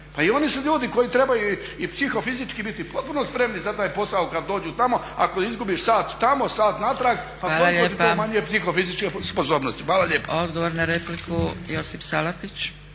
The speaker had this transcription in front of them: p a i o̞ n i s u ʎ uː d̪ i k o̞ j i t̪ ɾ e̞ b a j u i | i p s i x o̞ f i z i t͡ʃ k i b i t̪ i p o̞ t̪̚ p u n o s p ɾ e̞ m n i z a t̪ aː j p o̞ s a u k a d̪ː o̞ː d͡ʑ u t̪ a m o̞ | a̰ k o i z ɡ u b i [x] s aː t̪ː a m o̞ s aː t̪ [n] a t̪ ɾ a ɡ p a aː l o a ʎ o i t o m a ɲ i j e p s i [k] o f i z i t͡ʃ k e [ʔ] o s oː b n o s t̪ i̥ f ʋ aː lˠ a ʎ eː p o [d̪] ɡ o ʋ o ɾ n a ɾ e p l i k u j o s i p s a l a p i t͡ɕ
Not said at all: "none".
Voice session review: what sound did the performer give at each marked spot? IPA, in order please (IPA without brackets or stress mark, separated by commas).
ʃ, n, x, p, d̪